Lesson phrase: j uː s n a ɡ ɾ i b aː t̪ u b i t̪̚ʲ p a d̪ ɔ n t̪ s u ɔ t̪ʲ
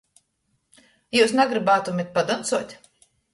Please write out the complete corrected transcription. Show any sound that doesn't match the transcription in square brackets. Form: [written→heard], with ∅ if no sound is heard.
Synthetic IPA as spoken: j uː s n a ɡ ɾ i b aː t̪ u [b→m] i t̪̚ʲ p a d̪ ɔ n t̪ s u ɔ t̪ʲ